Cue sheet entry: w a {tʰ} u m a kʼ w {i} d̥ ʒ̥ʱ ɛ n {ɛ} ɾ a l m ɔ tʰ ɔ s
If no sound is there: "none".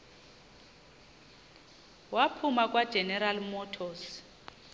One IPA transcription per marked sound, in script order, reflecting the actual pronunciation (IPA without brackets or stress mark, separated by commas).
pʰ, a, ɛ